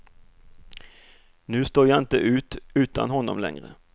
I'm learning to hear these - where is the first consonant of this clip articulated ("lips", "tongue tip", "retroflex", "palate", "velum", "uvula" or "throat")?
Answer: tongue tip